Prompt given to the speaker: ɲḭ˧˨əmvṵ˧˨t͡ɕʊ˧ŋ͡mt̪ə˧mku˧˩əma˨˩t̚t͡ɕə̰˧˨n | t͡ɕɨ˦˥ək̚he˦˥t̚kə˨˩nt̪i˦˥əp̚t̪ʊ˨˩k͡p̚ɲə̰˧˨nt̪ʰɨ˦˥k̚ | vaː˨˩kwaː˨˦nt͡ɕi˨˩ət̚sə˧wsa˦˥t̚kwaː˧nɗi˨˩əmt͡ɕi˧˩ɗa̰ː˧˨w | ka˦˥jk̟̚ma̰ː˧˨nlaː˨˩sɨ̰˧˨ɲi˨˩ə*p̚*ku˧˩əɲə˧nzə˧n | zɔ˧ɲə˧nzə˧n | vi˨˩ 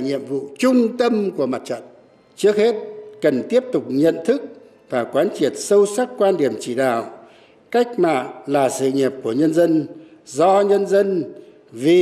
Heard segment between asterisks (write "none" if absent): p̚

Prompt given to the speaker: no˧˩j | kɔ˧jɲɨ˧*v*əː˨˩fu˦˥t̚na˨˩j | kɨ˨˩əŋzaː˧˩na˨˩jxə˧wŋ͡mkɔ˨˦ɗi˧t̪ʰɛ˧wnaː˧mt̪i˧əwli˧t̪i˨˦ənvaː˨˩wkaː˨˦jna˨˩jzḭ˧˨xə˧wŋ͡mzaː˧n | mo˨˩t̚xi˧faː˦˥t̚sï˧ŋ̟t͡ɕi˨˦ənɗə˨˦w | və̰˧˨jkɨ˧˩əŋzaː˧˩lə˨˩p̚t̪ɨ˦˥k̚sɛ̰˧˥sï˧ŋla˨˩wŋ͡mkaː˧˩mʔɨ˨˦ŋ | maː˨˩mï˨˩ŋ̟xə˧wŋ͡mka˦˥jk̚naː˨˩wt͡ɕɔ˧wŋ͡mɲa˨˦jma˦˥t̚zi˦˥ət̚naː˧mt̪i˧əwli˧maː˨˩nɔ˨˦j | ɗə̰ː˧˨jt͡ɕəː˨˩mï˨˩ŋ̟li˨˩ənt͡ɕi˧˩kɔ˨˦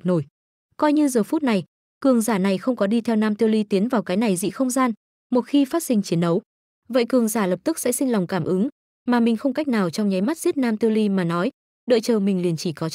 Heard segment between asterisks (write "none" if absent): z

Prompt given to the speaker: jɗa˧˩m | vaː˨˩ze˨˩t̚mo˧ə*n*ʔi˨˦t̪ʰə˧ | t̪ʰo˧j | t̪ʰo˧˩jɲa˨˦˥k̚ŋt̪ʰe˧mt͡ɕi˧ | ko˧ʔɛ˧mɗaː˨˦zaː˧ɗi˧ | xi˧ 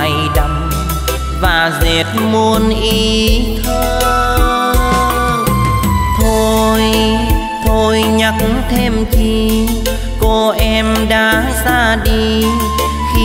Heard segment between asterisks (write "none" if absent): n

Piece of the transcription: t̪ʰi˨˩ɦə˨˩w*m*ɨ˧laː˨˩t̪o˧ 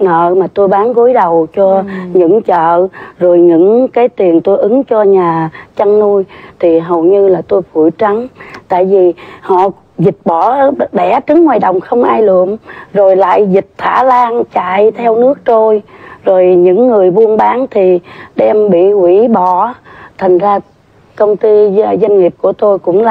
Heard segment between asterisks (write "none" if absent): ɲ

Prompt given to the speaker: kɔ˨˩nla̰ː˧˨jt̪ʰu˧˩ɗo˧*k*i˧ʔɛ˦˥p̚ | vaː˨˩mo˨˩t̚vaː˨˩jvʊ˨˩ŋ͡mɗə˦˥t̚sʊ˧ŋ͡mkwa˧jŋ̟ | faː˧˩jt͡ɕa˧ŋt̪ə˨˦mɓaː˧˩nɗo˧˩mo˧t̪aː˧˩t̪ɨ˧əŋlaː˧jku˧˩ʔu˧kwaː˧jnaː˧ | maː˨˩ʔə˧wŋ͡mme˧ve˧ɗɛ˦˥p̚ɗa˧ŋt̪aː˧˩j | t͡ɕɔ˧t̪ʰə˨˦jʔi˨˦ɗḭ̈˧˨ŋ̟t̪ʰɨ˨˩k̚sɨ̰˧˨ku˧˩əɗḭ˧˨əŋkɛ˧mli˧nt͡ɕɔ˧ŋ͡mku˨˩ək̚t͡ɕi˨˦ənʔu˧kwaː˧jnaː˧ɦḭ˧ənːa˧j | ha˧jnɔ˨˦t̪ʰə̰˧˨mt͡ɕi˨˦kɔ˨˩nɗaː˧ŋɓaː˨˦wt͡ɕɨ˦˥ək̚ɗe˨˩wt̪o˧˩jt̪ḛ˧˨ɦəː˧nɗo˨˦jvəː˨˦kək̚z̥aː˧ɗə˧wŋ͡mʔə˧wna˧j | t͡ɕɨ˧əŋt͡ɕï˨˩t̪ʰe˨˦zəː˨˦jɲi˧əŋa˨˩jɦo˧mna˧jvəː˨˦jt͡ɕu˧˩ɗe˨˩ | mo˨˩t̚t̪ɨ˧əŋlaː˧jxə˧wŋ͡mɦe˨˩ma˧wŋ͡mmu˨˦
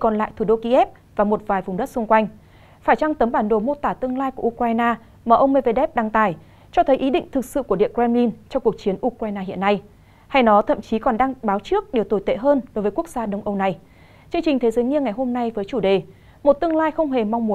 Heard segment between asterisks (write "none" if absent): k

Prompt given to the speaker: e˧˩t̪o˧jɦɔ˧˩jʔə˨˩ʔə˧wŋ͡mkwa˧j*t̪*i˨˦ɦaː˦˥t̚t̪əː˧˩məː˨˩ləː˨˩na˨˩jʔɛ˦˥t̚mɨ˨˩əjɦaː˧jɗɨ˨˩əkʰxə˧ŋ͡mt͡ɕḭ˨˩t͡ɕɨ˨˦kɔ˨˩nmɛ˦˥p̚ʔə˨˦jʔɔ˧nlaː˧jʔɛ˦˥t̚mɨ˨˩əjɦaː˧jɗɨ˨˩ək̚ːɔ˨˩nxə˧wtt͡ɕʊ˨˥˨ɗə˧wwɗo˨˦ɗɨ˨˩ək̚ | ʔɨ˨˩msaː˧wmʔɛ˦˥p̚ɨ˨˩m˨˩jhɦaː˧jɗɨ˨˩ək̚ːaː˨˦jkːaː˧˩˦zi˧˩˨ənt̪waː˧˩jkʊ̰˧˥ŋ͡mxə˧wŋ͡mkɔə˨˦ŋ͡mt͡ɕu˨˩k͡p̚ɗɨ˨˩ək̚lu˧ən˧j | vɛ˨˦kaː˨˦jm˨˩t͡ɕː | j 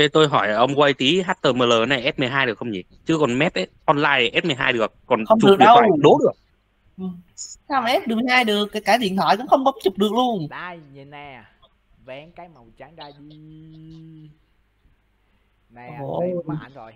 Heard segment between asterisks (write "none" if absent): t̪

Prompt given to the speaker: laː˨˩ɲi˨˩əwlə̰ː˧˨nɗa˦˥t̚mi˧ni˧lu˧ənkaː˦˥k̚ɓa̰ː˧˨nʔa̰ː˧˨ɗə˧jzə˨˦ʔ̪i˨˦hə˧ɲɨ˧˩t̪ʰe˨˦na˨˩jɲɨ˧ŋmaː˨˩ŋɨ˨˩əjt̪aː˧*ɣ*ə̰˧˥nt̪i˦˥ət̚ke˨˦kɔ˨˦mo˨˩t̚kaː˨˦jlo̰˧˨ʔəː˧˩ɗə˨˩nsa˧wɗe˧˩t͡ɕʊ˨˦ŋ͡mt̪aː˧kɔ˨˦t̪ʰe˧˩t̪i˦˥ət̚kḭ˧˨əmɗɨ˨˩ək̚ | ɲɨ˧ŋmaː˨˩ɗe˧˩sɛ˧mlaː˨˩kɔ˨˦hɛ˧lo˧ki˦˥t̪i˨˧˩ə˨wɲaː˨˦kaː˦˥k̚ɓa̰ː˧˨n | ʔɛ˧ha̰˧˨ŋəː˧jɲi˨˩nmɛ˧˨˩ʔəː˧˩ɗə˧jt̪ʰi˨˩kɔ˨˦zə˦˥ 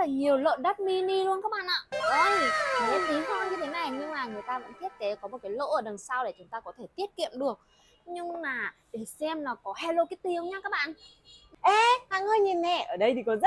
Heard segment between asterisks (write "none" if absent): v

